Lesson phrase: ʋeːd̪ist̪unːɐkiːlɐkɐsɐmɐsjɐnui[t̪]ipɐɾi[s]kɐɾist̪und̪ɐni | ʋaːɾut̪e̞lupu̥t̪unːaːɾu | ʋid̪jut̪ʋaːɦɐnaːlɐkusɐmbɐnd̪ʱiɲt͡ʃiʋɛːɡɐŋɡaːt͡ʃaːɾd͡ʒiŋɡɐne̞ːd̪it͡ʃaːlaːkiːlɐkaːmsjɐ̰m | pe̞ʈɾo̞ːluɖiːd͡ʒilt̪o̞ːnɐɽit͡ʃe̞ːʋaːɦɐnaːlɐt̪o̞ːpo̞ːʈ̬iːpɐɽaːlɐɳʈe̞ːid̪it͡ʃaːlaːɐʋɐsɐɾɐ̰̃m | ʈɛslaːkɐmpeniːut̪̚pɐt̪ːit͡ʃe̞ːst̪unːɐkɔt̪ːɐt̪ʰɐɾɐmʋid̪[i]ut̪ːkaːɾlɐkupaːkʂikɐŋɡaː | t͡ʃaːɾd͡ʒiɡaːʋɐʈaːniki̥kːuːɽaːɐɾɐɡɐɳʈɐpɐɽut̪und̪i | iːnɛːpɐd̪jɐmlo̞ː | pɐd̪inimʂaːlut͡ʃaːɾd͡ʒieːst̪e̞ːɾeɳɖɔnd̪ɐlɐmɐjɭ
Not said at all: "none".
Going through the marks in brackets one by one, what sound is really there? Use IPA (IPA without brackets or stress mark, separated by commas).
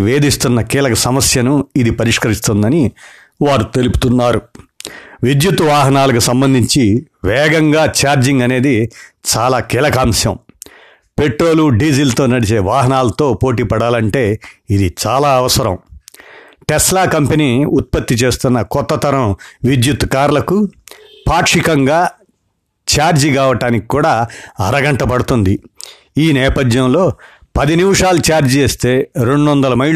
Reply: d̪, ʂ, j